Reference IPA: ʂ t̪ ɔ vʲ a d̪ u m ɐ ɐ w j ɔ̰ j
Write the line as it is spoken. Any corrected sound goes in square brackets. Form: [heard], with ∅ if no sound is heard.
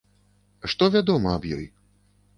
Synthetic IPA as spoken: ʂ t̪ ɔ vʲ a d̪ [ɔ] m ɐ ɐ [b] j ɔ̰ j